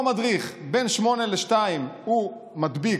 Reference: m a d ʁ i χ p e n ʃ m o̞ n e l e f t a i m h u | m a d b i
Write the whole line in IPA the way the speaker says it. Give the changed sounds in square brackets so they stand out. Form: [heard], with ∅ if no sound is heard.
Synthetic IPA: m a d ʁ i χ [b] e n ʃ m o̞ n e l e [ʃ] t a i m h u | m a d b i